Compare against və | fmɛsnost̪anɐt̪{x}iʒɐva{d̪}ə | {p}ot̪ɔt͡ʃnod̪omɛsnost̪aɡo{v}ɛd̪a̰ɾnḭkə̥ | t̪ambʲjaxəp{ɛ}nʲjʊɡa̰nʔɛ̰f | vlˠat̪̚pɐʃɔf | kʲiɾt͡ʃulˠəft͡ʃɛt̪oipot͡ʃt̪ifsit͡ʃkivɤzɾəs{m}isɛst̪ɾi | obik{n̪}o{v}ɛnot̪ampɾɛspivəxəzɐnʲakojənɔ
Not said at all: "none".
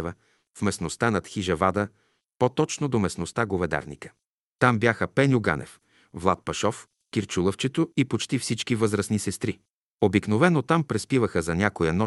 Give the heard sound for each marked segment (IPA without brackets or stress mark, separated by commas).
x, d̪, p, v, ɛ, n, n̪, v